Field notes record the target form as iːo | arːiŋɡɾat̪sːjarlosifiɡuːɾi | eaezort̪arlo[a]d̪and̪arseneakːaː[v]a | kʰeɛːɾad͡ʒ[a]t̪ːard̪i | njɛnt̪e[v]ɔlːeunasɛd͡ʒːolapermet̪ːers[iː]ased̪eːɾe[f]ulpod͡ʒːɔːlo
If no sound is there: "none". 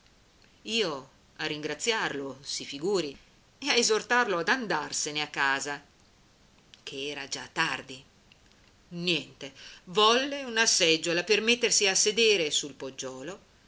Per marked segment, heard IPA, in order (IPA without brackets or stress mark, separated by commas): a, z, a, v, i, s